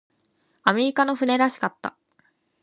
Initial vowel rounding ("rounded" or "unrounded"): unrounded